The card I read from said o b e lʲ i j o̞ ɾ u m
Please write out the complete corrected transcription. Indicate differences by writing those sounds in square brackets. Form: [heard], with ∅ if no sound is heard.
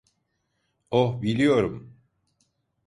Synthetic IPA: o b [i] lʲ i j o̞ ɾ u m

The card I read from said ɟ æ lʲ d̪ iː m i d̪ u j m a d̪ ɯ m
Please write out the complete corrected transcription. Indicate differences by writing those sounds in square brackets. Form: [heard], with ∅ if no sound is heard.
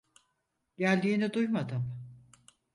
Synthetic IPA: ɟ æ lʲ d̪ iː [n] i d̪ u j m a d̪ ɯ m

